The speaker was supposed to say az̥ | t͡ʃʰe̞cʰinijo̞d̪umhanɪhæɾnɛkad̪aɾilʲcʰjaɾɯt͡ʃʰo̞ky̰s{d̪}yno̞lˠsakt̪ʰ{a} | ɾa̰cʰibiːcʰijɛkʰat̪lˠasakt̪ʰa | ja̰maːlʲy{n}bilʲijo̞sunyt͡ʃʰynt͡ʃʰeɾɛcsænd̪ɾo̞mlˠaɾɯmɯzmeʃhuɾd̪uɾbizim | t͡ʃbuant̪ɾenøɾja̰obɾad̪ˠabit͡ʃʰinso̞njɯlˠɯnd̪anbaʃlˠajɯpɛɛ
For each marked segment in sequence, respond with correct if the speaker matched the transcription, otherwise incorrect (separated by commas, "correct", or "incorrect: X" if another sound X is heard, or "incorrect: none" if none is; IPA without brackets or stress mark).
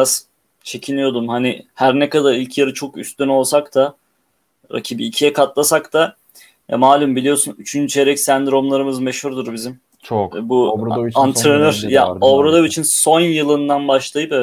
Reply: incorrect: t̪, correct, incorrect: m